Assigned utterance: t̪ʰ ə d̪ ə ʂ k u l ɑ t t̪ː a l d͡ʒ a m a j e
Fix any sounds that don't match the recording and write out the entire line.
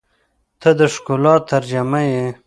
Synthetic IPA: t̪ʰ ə d̪ ə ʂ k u l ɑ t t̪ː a ɾ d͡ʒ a m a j e